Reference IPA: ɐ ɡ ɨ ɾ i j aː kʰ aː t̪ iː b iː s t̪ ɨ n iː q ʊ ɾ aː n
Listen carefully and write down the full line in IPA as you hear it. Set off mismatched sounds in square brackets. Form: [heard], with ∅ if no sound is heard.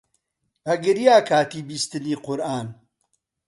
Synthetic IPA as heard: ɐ ɡ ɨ ɾ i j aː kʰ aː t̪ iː b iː s t̪ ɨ n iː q ʊ ɾ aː n

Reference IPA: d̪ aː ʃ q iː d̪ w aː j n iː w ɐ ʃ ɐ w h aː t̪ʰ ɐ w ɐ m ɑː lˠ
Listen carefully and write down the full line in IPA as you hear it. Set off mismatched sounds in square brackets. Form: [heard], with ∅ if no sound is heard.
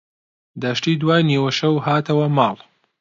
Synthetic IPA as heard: d̪ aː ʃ [t] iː d̪ w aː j n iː w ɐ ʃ ɐ w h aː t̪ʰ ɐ w ɐ m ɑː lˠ

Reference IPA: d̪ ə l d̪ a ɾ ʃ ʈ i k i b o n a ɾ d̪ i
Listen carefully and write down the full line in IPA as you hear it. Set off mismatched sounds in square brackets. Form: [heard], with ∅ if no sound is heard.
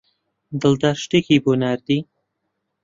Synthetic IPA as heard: d̪ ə l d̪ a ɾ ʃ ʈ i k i b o n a ɾ d̪ i

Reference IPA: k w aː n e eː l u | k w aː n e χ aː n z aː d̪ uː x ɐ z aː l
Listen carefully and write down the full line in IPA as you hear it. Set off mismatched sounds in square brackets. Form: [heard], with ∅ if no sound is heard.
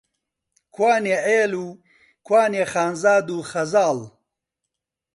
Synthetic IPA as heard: k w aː n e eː l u | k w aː n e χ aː n z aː d̪ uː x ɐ z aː l

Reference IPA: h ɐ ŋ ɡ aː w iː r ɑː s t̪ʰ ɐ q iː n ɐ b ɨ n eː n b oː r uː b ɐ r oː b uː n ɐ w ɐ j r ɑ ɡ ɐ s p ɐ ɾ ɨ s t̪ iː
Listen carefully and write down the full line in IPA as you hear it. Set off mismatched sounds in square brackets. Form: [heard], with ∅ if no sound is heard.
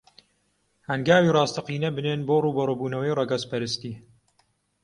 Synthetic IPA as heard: h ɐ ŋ ɡ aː w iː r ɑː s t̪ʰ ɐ q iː n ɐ b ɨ n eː n b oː r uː b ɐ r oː b uː n ɐ w ɐ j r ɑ ɡ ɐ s p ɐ ɾ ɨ s t̪ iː

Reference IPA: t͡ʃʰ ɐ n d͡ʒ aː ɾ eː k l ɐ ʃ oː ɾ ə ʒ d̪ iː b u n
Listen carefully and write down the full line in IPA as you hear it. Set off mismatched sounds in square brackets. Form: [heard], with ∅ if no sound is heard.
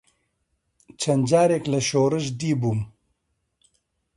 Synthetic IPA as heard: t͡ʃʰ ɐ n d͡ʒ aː ɾ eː k l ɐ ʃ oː ɾ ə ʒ d̪ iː b u [m]

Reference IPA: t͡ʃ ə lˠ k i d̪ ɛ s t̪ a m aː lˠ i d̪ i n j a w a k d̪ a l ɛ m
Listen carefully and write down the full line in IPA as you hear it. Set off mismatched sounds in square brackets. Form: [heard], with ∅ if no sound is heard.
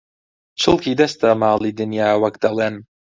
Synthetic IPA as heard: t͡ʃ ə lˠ k i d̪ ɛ s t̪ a m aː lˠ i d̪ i n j a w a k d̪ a l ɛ [n]

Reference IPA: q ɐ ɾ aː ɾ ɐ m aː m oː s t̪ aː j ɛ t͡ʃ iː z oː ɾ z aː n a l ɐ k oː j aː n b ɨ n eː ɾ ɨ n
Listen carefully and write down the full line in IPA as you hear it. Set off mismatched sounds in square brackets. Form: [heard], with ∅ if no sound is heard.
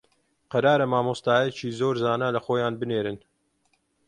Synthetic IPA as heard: q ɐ ɾ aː ɾ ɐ m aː m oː s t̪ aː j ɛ t͡ʃ iː z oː ɾ z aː n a l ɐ [x] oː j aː n b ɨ n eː ɾ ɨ n

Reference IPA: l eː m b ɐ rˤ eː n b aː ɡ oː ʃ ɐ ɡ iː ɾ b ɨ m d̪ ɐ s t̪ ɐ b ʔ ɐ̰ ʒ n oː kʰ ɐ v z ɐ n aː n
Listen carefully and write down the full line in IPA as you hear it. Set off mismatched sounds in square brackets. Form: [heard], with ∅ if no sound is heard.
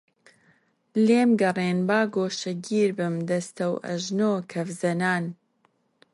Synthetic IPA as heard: l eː m [ɡ] ɐ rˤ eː n b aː ɡ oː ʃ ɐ ɡ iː ɾ b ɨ m d̪ ɐ s t̪ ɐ [w] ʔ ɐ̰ ʒ n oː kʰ ɐ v z ɐ n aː n

